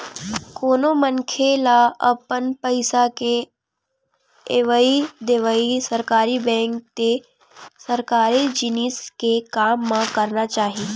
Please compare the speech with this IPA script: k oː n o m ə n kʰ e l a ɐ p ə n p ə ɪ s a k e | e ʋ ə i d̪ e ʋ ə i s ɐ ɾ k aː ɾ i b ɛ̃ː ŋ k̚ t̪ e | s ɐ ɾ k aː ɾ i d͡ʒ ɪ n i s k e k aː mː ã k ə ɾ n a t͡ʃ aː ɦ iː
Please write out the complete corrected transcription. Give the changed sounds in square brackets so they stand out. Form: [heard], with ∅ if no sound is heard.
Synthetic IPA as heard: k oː n o m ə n kʰ e l a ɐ p ə n p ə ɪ s a k e | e ʋ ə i d̪ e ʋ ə i s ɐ ɾ k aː ɾ i b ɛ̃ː ŋ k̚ t̪ e | s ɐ ɾ k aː ɾ i d͡ʒ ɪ n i s k e k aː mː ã k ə ɾ n a t͡ʃ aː ɦ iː